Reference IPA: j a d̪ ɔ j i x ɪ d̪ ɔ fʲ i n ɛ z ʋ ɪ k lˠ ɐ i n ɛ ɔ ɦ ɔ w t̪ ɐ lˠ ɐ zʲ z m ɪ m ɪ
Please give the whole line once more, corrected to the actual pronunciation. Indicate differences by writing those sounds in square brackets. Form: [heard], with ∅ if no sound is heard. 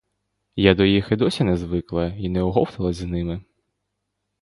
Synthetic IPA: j a d̪ ɔ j i x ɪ d̪ ɔ [sʲ] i n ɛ z ʋ ɪ k lˠ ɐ i n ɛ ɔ ɦ ɔ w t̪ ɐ lˠ ɐ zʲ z [n] ɪ m ɪ